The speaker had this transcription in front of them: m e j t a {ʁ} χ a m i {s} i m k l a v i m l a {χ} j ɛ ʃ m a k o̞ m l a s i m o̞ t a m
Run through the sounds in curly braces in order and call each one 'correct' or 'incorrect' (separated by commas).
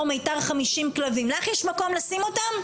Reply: correct, incorrect, correct